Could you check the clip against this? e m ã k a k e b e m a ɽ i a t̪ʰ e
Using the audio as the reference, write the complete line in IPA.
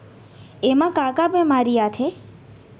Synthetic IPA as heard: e m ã k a k a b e m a ɾ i a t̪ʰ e